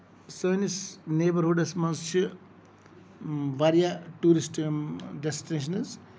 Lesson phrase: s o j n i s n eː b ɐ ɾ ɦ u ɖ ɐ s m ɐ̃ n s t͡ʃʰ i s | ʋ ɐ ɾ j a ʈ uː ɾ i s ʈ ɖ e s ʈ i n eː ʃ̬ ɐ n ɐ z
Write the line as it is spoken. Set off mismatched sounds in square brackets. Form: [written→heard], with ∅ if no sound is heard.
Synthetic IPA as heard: s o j n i s n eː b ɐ ɾ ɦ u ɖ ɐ s m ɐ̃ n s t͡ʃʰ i [s→∅] | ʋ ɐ ɾ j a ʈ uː ɾ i s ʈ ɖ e s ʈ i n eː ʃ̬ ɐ n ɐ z